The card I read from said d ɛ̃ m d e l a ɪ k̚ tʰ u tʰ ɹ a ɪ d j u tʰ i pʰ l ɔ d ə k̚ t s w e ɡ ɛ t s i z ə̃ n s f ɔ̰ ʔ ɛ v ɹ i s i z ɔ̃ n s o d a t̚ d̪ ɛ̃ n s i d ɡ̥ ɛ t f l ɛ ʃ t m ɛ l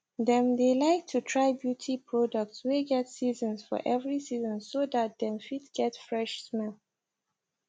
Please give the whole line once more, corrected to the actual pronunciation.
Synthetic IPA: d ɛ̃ m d e l a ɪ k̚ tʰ u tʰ ɹ a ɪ b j u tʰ i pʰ ɹ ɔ d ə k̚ t s w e ɡ ɛ t s i z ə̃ n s f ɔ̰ ʔ ɛ v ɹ i s i z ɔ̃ n s o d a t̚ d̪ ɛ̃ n f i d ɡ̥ ɛ t f ɹ ɛ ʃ s m ɛ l